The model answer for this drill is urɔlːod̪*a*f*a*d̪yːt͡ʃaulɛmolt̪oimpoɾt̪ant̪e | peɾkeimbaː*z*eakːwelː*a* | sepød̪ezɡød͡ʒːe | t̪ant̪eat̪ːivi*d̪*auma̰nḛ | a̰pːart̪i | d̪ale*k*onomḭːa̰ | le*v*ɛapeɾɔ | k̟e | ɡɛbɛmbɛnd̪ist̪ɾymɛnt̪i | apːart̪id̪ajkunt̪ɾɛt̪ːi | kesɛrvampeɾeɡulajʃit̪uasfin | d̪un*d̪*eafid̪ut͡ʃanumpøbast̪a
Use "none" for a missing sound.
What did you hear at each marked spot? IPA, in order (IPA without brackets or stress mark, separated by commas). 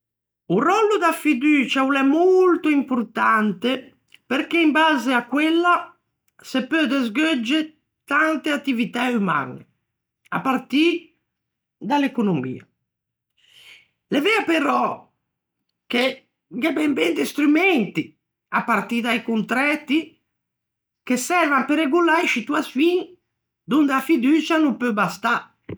a, i, z, a, t̪, k, v, d̪